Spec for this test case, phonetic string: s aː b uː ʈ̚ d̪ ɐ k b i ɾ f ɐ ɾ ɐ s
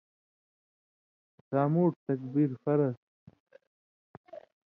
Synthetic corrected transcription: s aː m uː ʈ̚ t̪ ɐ k b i ɾ f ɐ ɾ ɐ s